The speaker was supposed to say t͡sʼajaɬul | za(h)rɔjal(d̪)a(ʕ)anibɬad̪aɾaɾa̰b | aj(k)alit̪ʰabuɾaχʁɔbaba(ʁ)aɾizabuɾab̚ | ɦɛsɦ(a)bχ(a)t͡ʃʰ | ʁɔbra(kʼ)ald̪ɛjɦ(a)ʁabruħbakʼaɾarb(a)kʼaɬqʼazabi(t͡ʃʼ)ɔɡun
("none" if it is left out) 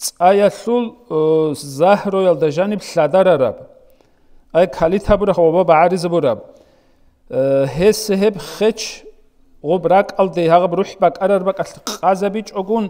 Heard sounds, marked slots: h, d̪, ʒ, kʰ, ʕ, ɛ, ɛ, kʼ, a, a, t͡ʃʼ

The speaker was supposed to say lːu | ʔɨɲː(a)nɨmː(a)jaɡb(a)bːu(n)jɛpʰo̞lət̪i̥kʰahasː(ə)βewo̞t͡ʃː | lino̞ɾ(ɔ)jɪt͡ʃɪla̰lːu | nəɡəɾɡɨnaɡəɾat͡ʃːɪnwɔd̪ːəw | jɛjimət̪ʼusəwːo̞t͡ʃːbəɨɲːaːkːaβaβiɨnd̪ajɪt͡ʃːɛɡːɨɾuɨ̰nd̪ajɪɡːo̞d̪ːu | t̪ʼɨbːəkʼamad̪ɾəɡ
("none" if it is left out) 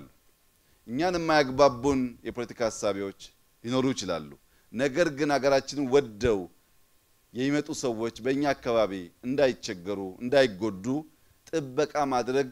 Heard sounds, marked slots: a, a, a, n, a, u

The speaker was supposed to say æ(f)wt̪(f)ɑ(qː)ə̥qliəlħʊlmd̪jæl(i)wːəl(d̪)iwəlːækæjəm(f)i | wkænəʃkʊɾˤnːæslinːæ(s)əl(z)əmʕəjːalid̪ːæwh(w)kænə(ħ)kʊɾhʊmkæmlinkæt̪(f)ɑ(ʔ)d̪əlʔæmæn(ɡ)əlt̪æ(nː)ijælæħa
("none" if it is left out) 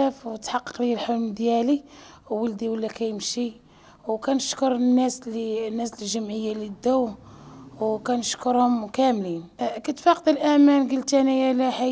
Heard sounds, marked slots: f, ħ, qː, i, d̪, ʃ, s, ʒ, w, ʃ, f, q, ɡ, n

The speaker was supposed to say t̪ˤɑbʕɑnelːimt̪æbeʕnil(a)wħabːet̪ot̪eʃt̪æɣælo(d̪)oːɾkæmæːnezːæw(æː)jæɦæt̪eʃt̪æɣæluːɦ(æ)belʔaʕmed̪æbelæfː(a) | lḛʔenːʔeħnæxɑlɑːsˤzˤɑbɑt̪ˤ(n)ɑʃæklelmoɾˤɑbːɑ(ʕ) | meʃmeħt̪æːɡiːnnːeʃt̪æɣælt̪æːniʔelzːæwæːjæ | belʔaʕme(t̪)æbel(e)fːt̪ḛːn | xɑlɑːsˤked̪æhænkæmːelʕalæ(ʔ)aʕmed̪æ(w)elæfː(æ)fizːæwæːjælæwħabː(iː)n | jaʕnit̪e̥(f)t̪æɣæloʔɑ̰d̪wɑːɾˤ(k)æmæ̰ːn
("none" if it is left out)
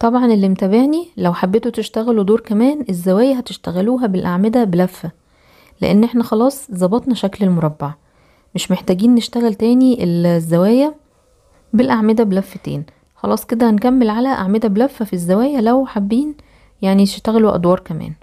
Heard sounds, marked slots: æ, d̪, æː, æ, æ, n, ʕ, d̪, æ, ʔ, b, æ, iː, ʃ, k

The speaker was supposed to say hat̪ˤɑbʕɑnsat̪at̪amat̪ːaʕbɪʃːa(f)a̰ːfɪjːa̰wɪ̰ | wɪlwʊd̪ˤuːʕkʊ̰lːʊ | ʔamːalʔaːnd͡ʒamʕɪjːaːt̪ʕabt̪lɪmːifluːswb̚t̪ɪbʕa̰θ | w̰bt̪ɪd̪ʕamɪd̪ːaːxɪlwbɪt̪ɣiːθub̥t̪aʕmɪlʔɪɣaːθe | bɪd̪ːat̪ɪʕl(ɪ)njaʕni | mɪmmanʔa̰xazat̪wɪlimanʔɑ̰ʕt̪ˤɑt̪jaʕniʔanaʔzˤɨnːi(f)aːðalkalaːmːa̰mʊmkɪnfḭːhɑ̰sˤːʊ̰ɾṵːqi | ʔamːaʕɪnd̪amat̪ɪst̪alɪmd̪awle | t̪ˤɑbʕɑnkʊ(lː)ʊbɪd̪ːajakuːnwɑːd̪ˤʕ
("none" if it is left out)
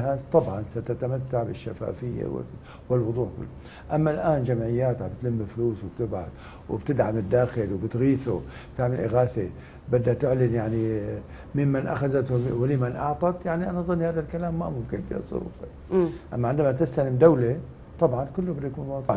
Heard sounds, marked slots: f, ɪ, h, lː

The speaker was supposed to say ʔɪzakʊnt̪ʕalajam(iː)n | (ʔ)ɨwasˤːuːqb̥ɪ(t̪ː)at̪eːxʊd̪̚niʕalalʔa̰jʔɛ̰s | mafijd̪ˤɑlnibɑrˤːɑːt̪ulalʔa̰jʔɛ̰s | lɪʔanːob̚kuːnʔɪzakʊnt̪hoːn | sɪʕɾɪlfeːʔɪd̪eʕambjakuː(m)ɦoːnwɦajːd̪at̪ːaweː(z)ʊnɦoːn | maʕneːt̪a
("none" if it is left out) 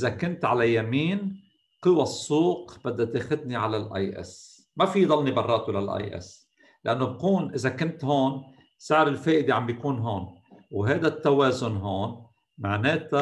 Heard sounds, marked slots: iː, q, d̪ː, n, z

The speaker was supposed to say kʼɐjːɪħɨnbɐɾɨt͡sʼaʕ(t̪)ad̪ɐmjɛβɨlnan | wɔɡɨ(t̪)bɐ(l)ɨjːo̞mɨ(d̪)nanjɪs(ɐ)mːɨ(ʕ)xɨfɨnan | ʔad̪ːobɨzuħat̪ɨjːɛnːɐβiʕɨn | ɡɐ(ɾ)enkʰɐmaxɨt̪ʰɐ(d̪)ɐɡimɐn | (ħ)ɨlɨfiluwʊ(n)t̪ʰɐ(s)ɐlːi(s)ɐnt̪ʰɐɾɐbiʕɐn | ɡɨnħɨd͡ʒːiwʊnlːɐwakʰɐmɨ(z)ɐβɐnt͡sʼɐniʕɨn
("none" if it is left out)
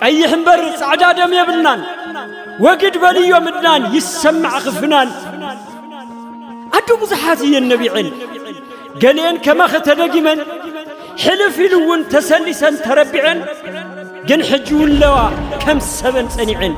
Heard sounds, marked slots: d̪, d̪, l, d̪, ɐ, ʕ, l, d̪, ħ, n, s, s, s

